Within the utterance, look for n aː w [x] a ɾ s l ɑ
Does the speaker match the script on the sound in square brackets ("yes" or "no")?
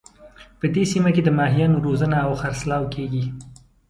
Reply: yes